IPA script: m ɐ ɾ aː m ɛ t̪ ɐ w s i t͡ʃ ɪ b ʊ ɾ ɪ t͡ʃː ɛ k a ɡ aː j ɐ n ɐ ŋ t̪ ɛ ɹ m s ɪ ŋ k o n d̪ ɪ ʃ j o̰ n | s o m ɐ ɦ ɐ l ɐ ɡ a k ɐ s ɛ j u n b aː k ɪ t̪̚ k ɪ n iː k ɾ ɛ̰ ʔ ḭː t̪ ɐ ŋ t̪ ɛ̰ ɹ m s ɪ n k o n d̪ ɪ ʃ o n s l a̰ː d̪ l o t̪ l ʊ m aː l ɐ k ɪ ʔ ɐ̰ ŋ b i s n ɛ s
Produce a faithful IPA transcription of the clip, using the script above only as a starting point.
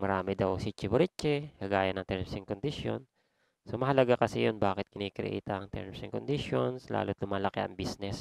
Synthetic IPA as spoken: m ɐ ɾ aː m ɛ d̪ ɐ w s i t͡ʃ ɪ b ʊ ɾ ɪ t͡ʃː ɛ k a ɡ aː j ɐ n ɐ ŋ t̪ ɛ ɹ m s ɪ ŋ k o n d̪ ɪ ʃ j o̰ n | s o m ɐ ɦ ɐ l ɐ ɡ a k ɐ s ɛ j o n b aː k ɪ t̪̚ k ɪ n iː k ɾ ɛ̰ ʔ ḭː t̪ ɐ ŋ t̪ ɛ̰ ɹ m s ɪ ŋ k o n d̪ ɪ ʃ o n s l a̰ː l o t̪ l ʊ m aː l ɐ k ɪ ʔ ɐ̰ ŋ b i s n ɛ s

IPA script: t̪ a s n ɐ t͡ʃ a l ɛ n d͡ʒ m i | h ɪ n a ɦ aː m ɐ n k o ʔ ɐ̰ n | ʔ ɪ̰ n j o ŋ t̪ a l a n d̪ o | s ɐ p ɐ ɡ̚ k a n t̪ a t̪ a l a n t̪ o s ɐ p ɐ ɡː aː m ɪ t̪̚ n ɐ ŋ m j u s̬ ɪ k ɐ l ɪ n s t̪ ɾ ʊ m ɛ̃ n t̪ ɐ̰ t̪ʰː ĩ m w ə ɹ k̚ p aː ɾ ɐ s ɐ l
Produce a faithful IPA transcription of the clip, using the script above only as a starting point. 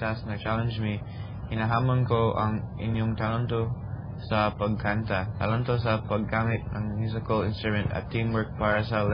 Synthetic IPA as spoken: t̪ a s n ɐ t͡ʃ a l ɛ n d͡ʒ m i | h ɪ n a ɦ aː m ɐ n k o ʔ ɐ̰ ŋ | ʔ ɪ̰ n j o ŋ t̪ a l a n t̪ o | s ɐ p ɐ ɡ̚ k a n t̪ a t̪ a l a n t̪ o s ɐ p ɐ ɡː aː m ɪ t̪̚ n ɐ ŋ m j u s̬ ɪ k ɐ l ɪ n s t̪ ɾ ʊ m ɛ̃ n t̪ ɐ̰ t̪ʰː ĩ m w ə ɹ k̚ p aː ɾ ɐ s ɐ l

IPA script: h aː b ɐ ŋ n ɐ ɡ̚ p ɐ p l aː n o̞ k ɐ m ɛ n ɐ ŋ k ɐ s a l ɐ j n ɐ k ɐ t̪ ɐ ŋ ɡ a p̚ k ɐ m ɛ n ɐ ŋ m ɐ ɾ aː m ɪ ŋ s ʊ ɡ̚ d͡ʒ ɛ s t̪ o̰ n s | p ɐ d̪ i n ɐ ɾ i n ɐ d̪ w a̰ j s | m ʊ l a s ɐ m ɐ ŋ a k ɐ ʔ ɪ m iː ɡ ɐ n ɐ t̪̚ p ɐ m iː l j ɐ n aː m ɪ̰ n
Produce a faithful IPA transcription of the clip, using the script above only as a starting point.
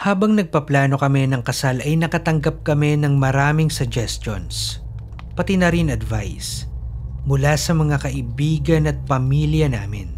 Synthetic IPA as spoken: h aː b ɐ ŋ n ɐ ɡ̚ p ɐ p l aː n o̞ k ɐ m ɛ n ɐ ŋ k ɐ s a l ɐ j n ɐ k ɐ t̪ ɐ ŋ ɡ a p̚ k ɐ m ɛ n ɐ ŋ m ɐ ɾ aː m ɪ ŋ s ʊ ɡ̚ d͡ʒ ɛ s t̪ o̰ n s | p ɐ t̪ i n ɐ ɾ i n ɐ d̪ v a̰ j s | m ʊ l a s ɐ m ɐ ŋ a k ɐ ʔ ɪ b iː ɡ ɐ n ɐ t̪̚ p ɐ m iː l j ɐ n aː m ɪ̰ n

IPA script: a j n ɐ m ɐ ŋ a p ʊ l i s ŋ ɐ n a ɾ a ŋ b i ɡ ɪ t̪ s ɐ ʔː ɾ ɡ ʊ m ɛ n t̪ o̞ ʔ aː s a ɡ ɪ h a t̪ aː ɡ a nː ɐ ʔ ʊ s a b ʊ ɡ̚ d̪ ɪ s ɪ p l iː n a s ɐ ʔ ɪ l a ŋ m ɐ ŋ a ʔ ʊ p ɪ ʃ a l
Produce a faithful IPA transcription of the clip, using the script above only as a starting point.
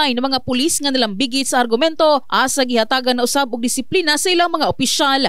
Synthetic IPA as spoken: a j n ɐ m ɐ ŋ a p ʊ l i s ŋ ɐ n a l a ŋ b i ɡ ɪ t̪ s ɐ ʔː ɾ ɡ ʊ m ɛ n t̪ o̞ ʔ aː s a ɡ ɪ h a t̪ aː ɡ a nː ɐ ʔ ʊ s a b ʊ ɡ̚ d̪ ɪ s ɪ p l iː n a s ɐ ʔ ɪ l a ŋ m ɐ ŋ a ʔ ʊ p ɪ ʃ a l

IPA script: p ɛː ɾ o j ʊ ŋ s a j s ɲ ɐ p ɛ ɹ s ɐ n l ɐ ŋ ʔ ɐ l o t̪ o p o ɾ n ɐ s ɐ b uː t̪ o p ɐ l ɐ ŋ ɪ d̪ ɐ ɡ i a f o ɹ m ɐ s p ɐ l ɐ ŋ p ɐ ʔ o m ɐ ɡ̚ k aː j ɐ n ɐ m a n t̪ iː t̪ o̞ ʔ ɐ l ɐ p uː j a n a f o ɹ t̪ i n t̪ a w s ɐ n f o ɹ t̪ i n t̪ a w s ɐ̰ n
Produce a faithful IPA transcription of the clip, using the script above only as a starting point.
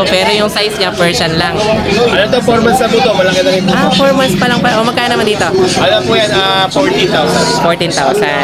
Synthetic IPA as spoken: p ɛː ɾ o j ʊ ŋ s a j s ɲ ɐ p ɛ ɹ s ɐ n l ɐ ŋ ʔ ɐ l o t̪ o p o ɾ m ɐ s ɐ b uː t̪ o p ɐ l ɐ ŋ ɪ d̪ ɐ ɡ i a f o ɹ m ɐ s p ɐ l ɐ ŋ p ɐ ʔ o m ɐ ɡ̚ k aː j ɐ n ɐ m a n d̪ iː t̪ o̞ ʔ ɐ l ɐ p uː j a n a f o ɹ t̪ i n t̪ a w s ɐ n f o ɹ t̪ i n t̪ a w s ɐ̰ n

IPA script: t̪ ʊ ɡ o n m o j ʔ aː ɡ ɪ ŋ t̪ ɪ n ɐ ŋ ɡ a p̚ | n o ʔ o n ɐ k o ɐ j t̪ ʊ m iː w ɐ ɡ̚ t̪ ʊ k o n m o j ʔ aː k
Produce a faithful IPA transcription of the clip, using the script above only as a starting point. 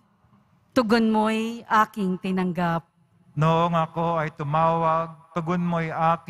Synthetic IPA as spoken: t̪ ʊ ɡ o n m o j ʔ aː k ɪ ŋ t̪ ɪ n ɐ ŋ ɡ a p̚ | n o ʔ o ŋ ɐ k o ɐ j t̪ ʊ m aː w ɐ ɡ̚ t̪ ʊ ɡ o n m o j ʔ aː k

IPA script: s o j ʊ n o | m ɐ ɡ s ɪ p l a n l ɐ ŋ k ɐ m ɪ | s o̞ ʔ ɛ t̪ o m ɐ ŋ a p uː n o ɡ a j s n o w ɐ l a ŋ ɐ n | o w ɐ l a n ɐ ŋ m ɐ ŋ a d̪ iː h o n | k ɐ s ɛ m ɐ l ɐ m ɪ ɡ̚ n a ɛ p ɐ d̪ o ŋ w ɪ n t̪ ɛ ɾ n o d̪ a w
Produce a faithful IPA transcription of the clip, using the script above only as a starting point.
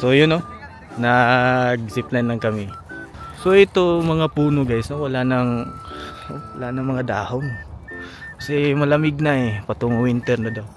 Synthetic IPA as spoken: s o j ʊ n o | n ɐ ɡ s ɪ p l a n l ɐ ŋ k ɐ m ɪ | s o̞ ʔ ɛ t̪ o m ɐ ŋ a p uː n o ɡ a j s n o w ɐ l a n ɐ ŋ | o w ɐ l a n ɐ ŋ m ɐ ŋ a d̪ aː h o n | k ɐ s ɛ m ɐ l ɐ m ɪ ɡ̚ n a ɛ p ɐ t̪ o ŋ w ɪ n t̪ ɛ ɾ n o d̪ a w

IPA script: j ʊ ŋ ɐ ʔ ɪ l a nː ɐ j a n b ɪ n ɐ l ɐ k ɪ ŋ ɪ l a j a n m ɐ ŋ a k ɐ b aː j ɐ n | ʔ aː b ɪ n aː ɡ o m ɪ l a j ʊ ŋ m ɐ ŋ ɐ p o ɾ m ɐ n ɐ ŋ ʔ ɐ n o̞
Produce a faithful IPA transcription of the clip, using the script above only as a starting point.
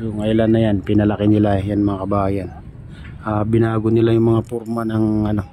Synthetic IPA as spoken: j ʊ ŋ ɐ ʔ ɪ l a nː ɐ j a n p ɪ n ɐ l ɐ k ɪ n ɪ l a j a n m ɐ ŋ a k ɐ b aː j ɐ n | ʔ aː b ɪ n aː ɡ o n ɪ l a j ʊ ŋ m ɐ ŋ a p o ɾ m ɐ n ɐ ŋ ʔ ɐ n o̞

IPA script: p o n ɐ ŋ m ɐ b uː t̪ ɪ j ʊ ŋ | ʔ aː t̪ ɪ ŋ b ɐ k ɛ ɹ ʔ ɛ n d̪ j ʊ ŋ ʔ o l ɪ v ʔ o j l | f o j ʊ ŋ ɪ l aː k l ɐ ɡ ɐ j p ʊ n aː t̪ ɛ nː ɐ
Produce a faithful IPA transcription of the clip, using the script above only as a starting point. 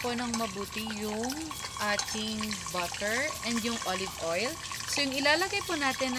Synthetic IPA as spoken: p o n ɐ ŋ m ɐ b uː t̪ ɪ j ʊ ŋ | ʔ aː t̪ ɪ ŋ b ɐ k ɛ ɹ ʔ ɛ n d̪ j ʊ ŋ ʔ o l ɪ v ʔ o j l | s o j ʊ ŋ ɪ l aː l ɐ ɡ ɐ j p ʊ n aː t̪ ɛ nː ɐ

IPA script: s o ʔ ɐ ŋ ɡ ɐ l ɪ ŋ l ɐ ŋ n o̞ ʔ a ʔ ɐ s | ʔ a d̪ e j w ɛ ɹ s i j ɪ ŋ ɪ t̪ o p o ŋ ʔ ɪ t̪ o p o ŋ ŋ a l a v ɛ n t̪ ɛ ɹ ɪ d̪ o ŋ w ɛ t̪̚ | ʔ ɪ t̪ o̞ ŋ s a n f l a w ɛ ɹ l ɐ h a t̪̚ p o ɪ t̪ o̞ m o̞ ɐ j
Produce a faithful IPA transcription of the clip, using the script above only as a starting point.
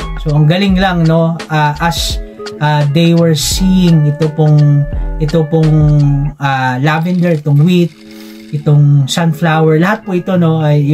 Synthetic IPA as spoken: s o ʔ ɐ ŋ ɡ ɐ l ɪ ŋ l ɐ ŋ n o̞ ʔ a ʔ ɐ s | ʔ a d̪ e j w ɛ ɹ s i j ɪ ŋ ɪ t̪ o p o ŋ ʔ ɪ t̪ o p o ŋ ŋ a l a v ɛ n d̪ ɛ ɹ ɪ t̪ o ŋ w i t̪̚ | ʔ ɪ t̪ o̞ ŋ s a n f l a w ɛ ɹ l ɐ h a t̪̚ p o ɪ t̪ o̞ n o̞ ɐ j

